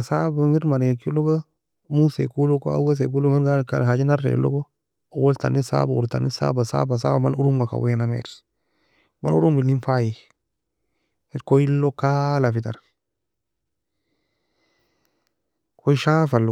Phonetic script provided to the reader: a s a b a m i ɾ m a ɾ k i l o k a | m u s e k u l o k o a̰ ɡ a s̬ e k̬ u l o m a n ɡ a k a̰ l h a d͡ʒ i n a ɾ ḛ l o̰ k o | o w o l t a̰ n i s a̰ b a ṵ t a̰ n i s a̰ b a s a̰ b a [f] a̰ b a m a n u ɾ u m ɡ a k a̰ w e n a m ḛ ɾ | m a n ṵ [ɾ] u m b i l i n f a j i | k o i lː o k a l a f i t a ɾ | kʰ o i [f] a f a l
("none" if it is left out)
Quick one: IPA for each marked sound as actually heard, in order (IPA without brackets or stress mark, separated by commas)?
s, ɾ, ʃ